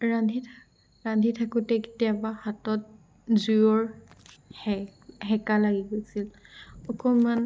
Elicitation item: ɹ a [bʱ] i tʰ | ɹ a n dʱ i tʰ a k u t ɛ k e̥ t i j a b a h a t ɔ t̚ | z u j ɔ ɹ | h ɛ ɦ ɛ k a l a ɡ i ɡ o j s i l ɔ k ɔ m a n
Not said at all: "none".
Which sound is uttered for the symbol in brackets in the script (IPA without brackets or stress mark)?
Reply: dʱ